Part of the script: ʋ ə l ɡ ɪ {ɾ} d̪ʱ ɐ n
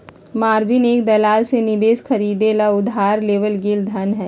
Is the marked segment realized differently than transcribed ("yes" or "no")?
yes